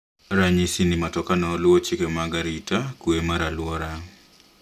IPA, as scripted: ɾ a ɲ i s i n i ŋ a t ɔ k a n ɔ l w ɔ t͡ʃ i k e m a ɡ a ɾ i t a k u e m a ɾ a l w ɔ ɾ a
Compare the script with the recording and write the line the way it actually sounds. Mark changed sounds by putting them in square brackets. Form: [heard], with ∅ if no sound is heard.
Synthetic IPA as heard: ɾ a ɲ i s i n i [m] a t ɔ k a n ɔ l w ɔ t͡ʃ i k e m a ɡ a ɾ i t a k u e m a ɾ a l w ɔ ɾ a